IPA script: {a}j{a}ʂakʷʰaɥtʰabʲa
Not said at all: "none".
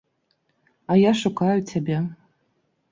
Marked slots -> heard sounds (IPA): a, a

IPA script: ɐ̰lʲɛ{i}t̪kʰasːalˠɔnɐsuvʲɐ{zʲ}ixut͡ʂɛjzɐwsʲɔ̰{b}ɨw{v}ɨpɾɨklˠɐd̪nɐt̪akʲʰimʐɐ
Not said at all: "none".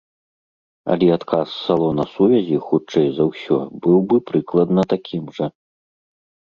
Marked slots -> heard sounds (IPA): a, zʲ, b, b

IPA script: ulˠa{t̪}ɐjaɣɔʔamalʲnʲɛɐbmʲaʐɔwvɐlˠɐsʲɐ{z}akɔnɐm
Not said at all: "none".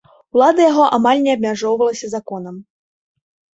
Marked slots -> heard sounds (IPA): d̪, z

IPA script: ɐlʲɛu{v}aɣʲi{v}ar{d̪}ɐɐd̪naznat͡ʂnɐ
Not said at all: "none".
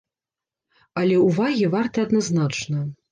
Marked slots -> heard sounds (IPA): v, v, t̪

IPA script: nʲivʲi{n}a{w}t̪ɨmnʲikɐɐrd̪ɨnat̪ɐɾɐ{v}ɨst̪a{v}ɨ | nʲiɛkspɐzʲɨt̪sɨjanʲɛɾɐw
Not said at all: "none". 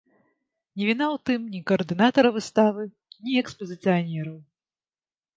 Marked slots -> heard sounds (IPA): n, w, v, v

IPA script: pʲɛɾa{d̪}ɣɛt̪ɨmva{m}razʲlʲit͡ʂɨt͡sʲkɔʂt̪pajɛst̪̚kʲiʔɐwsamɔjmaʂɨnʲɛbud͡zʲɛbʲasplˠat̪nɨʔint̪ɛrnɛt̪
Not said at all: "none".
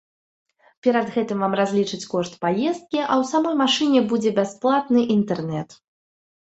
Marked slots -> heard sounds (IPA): d̪, m

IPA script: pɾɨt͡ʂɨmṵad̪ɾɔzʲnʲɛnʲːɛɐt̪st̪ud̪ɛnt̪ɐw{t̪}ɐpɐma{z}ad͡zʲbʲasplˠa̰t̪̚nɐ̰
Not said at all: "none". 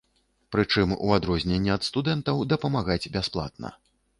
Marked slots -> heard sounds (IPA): d̪, ɣ

